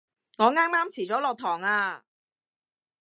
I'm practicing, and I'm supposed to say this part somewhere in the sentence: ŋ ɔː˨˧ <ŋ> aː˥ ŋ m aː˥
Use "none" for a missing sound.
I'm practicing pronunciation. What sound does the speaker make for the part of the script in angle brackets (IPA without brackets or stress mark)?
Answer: ŋ